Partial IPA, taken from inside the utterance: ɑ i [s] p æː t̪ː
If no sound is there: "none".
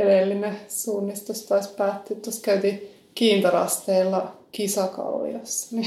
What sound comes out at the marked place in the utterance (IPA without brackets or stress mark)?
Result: s